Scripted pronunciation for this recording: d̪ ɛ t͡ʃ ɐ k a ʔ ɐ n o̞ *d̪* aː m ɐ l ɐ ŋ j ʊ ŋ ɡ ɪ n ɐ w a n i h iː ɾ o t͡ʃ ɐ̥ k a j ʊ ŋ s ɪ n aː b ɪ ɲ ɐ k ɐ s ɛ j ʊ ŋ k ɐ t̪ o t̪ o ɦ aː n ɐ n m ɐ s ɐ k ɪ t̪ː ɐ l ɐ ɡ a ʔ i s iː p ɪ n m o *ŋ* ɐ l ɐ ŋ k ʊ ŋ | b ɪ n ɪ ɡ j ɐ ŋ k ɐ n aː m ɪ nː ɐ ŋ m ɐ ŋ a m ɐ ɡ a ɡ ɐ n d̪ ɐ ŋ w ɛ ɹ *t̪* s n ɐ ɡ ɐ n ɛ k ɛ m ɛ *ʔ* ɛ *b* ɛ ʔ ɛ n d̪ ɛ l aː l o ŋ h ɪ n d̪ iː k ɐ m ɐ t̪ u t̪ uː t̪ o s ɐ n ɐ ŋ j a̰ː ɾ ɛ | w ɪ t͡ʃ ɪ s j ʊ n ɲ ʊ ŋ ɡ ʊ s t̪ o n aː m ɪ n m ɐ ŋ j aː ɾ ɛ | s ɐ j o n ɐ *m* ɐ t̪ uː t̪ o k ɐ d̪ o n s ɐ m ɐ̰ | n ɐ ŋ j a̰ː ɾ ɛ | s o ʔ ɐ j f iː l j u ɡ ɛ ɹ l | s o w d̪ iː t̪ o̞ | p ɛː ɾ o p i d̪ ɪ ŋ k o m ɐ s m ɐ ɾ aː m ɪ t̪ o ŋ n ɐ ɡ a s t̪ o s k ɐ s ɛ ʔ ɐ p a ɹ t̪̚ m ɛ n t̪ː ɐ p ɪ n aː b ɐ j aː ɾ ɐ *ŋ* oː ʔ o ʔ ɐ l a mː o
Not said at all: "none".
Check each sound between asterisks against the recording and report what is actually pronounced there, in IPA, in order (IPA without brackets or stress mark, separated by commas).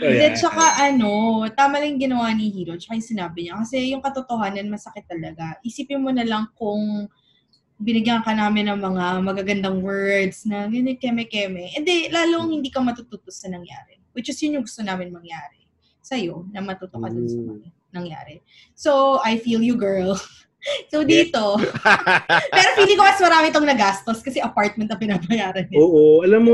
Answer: t̪, n, d̪, k, m, m, n